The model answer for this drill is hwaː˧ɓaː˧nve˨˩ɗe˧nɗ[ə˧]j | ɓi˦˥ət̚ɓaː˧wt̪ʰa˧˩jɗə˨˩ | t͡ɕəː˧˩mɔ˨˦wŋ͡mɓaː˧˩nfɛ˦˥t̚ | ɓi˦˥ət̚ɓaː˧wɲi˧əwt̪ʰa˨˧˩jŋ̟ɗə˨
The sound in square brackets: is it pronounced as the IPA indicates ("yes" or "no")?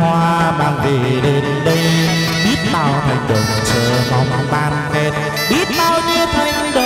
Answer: yes